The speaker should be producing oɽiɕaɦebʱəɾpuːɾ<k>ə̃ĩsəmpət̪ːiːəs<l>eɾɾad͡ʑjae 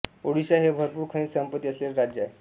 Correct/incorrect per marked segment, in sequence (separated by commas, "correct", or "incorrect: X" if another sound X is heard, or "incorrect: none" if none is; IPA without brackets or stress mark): incorrect: kʰ, correct